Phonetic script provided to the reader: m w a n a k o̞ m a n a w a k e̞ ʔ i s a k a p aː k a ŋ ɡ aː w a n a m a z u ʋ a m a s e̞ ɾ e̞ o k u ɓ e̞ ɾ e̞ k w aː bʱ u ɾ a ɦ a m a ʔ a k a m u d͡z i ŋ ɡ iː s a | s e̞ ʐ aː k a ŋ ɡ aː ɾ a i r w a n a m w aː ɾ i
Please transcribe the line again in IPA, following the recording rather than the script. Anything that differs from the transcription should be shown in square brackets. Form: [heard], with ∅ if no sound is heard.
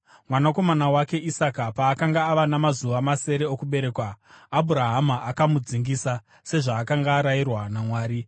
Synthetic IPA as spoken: m w a n a k o̞ m a n a w a k e̞ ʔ i s a k a p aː k a ŋ ɡ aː [ʋ] a n a m a z u ʋ a m a s e̞ ɾ e̞ o k u ɓ e̞ ɾ e̞ k w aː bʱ u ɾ a ɦ a m a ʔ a k a m u d͡z i ŋ ɡ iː s a | s e̞ ʐ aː k a ŋ ɡ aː ɾ a i r w a n a m w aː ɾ i